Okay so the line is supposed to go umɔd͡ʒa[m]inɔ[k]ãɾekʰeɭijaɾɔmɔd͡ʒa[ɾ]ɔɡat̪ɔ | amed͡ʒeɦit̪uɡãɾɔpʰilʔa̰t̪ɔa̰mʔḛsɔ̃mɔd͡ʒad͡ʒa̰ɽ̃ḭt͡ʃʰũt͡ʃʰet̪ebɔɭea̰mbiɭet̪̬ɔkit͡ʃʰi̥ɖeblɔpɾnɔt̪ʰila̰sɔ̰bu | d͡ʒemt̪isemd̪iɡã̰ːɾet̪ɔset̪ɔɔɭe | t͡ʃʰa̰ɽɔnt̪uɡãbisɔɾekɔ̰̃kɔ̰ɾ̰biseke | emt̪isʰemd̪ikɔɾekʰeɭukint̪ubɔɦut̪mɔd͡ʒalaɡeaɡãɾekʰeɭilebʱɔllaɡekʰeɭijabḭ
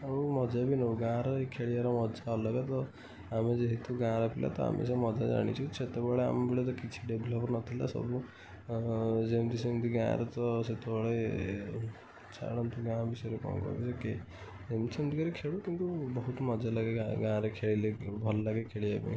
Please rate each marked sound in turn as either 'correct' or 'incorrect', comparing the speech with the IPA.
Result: incorrect: b, incorrect: ɡ, incorrect: l

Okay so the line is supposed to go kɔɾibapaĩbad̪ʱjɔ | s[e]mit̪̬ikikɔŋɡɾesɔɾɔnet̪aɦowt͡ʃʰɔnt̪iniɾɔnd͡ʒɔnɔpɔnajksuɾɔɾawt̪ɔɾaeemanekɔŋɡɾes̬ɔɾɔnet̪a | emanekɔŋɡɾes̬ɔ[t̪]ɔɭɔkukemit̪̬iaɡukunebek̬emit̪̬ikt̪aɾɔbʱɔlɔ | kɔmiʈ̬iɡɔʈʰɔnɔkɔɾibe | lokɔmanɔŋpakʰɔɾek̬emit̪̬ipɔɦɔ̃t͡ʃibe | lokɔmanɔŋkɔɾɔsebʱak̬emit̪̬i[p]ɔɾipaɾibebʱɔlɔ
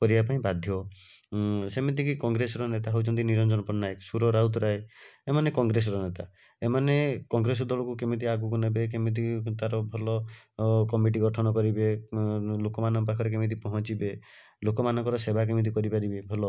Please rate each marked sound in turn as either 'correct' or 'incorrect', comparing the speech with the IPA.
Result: correct, incorrect: d̪, incorrect: k

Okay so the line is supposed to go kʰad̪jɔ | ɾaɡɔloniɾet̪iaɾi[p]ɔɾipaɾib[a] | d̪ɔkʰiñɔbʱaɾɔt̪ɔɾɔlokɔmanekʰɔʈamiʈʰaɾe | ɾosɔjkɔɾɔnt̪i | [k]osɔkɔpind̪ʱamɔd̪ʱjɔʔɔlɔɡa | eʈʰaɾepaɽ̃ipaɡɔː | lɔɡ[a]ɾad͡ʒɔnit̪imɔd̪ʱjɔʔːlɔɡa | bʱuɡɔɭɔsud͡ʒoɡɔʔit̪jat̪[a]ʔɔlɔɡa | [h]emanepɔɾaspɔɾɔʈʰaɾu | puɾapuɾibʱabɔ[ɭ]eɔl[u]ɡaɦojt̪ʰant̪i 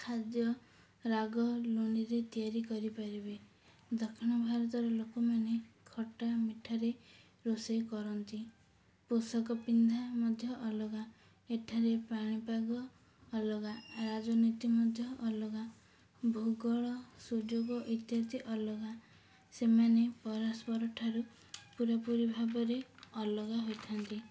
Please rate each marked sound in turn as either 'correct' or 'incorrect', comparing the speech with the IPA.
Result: incorrect: k, incorrect: e, incorrect: p, correct, incorrect: i, incorrect: s, incorrect: ɾ, incorrect: ɔ

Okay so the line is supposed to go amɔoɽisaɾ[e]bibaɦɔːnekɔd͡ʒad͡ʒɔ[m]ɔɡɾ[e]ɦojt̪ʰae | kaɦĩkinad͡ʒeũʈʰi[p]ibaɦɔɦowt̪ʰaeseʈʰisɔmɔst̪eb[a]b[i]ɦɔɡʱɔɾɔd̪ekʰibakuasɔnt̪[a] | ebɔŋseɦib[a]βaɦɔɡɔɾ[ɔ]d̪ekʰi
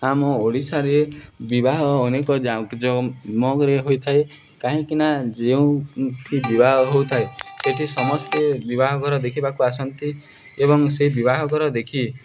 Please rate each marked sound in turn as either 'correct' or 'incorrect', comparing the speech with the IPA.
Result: correct, correct, correct, incorrect: b, incorrect: i, incorrect: a, incorrect: i, incorrect: i, correct

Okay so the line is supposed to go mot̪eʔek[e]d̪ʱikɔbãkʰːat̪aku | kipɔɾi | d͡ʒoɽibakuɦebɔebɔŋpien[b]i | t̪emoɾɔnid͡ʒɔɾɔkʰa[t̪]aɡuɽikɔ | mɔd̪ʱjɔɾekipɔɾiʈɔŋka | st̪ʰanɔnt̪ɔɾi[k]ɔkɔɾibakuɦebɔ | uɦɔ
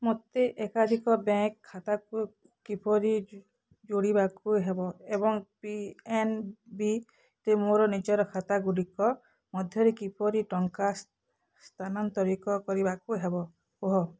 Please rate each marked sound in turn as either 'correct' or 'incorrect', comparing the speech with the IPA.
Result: incorrect: a, correct, correct, correct

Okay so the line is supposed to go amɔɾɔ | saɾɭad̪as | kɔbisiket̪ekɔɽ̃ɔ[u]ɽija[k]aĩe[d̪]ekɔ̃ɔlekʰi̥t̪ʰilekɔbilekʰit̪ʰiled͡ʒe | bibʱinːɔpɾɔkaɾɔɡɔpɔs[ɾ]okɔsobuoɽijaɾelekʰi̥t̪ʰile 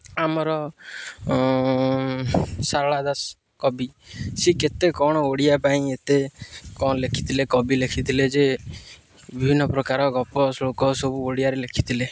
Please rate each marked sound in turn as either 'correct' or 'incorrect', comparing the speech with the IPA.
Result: incorrect: o, incorrect: p, incorrect: t̪, incorrect: l

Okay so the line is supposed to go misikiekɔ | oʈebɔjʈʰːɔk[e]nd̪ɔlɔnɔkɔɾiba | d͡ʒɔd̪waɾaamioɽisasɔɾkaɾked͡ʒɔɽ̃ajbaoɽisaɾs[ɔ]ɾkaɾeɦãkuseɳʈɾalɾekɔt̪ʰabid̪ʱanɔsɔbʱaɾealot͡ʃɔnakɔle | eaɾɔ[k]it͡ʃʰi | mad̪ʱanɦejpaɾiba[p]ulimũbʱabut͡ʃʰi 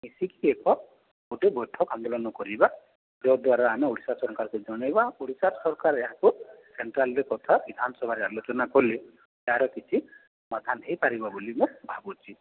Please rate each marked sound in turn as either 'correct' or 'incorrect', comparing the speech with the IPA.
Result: incorrect: a, correct, correct, incorrect: b

